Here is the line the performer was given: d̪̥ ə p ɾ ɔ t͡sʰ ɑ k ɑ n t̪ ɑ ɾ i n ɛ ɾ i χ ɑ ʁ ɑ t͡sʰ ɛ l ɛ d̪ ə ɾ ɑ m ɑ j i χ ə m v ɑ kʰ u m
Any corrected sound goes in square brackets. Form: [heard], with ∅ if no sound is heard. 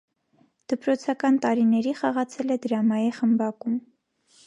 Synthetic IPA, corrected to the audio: d̪̥ ə p ɾ ɔ t͡sʰ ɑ k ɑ n t̪ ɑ ɾ i n ɛ ɾ i χ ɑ ʁ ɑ t͡sʰ ɛ l ɛ d̪ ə ɾ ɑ m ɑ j i χ ə m [b] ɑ [k] u m